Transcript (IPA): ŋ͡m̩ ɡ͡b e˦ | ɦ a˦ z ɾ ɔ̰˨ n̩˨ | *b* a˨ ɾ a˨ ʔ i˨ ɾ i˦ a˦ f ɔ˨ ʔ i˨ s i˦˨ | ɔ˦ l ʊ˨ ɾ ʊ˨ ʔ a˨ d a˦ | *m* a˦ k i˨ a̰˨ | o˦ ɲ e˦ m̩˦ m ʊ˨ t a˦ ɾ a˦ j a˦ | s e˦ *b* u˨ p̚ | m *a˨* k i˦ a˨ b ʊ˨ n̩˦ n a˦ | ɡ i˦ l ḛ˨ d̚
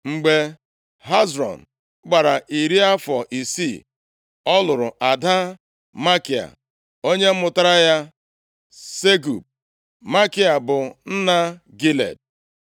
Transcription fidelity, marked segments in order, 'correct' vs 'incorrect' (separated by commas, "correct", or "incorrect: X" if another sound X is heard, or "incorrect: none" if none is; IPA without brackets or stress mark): incorrect: ɡ͡b, correct, incorrect: ɡ, incorrect: a˦